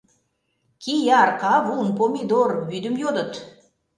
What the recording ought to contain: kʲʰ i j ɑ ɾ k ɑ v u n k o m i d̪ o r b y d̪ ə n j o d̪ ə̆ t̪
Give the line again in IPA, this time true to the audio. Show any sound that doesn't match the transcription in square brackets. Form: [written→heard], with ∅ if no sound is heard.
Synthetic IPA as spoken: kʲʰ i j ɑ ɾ [k→q] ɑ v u n [k→p] o m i d̪ o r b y d̪ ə [n→m] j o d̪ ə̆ t̪